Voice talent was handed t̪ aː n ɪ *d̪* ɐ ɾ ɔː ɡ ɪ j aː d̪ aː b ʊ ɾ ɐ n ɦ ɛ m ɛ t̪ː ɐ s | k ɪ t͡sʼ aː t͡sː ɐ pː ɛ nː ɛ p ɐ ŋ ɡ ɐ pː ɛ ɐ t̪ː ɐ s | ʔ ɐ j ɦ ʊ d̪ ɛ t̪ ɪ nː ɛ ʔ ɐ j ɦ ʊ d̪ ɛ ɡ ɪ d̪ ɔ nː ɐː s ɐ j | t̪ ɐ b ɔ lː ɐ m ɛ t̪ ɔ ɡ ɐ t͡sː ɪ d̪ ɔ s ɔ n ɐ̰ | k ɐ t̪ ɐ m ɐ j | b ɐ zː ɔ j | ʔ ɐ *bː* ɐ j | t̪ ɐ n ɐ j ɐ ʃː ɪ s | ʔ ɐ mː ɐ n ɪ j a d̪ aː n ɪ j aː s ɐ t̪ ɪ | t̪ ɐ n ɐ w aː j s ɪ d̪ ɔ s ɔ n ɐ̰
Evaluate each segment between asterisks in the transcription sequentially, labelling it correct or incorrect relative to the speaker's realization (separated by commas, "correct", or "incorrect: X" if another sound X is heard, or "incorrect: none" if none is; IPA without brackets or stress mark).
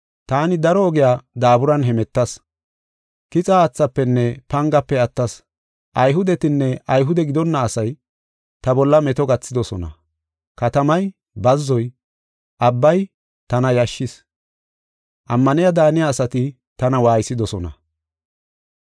correct, correct